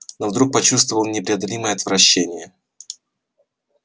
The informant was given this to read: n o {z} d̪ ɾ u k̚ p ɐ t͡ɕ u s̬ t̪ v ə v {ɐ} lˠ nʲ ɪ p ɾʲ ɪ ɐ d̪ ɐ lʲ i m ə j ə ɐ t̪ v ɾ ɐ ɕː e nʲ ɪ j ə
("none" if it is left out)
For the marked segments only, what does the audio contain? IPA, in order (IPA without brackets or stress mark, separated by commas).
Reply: v, ə